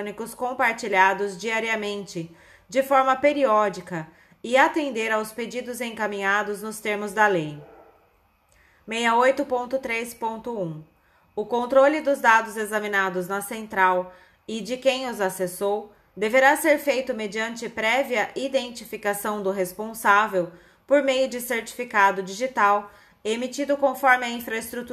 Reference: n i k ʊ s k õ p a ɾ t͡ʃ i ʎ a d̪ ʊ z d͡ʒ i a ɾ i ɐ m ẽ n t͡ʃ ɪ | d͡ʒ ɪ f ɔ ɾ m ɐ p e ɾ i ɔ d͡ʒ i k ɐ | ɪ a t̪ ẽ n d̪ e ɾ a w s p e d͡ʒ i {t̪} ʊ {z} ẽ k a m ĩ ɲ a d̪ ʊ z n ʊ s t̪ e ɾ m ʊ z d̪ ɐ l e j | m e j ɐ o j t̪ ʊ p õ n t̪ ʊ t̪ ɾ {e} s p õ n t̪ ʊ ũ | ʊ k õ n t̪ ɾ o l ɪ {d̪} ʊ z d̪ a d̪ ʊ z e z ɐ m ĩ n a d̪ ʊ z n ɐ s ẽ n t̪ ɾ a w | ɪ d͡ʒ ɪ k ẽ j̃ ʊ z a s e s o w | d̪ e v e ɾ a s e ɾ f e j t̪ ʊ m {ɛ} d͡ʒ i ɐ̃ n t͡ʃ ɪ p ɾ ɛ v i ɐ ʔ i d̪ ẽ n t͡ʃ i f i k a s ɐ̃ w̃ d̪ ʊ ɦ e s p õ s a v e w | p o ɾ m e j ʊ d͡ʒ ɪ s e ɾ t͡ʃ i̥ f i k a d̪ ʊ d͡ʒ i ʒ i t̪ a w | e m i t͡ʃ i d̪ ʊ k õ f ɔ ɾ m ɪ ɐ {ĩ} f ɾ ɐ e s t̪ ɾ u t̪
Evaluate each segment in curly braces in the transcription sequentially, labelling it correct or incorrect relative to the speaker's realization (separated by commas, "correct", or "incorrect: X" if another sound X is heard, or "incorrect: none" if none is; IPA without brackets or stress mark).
incorrect: d̪, correct, correct, correct, incorrect: e, correct